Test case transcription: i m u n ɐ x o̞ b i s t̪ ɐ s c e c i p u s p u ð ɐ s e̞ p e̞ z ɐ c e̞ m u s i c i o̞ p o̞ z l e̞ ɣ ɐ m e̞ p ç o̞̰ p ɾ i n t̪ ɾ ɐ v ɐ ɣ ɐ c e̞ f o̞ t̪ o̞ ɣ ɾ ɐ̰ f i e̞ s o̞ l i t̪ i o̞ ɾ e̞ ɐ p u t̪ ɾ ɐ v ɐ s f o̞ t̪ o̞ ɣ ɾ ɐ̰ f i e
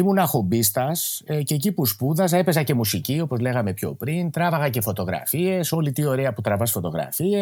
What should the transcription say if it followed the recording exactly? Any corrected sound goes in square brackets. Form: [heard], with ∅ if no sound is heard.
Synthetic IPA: i m u n ɐ x o̞ b i s t̪ ɐ s c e c i p u s p u ð ɐ s e̞ p e̞ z ɐ c e̞ m u s i c i o̞ p o̞ z l e̞ ɣ ɐ m e̞ p ç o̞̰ p ɾ i n t̪ ɾ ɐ v ɐ ɣ ɐ c e̞ f o̞ t̪ o̞ ɣ ɾ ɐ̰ f i e̞ s o̞ l i t̪ i o̞ ɾ e̞ ɐ p u t̪ ɾ ɐ v ɐ s f o̞ t̪ o̞ ɣ ɾ ɐ̰ f i e